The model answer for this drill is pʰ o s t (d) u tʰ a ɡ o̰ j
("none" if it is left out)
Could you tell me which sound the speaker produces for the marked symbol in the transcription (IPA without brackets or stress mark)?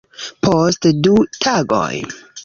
d